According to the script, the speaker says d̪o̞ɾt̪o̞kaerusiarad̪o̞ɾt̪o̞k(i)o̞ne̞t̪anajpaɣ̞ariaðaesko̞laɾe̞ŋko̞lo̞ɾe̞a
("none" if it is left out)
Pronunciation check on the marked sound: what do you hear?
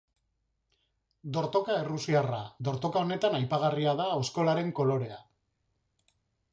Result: a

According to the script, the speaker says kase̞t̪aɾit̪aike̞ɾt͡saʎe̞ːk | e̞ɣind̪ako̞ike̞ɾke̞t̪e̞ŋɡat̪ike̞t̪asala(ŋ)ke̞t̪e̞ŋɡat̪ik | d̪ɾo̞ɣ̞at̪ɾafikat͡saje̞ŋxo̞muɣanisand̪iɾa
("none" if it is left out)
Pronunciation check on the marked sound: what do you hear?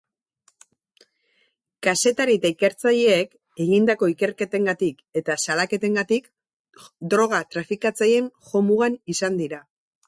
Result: none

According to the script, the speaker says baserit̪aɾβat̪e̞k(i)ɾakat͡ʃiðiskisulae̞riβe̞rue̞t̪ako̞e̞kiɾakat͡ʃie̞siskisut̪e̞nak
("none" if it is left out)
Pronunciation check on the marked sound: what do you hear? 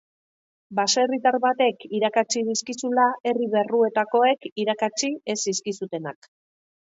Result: i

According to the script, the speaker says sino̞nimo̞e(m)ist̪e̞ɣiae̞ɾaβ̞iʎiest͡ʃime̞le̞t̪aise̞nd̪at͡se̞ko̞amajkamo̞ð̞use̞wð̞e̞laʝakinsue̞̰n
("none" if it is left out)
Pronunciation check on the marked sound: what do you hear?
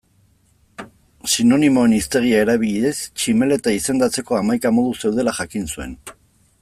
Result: n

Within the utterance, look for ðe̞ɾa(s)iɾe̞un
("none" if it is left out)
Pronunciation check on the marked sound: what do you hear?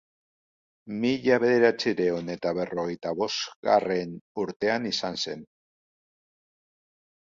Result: t͡s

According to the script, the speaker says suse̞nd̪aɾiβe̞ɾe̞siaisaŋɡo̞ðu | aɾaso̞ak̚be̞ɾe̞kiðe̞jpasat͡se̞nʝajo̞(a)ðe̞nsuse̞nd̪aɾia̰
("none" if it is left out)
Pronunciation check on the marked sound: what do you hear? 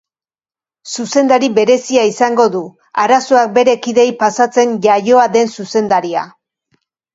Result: a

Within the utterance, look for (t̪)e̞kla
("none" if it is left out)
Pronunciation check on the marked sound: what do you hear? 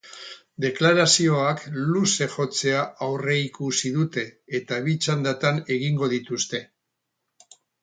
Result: d̪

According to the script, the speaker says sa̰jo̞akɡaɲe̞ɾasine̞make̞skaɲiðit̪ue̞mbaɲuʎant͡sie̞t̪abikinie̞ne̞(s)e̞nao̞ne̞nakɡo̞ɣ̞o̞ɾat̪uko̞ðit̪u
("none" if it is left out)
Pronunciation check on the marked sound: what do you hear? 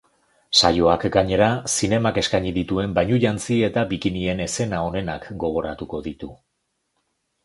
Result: s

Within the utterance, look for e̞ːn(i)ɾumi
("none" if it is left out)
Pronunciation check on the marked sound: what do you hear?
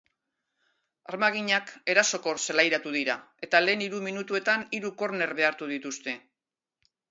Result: i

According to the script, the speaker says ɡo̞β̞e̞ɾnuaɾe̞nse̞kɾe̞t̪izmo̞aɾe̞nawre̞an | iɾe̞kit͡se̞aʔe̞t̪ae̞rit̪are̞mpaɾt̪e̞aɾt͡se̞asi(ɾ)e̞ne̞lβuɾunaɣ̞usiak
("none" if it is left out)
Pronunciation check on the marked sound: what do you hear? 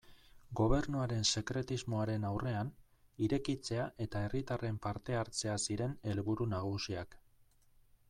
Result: ɾ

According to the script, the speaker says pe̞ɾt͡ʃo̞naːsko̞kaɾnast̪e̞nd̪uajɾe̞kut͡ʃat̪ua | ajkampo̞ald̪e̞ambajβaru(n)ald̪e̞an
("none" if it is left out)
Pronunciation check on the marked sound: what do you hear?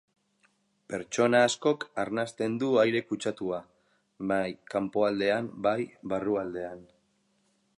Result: none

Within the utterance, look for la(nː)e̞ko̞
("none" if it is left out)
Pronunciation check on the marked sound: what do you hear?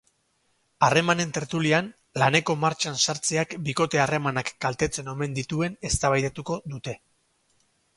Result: n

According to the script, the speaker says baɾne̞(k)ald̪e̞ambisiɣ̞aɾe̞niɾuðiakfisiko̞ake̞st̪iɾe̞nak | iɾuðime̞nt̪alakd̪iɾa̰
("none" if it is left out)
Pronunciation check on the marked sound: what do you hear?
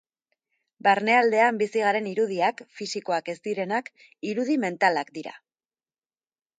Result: none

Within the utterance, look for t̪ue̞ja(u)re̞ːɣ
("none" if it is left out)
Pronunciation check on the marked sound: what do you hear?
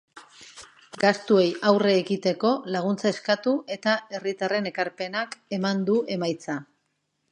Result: w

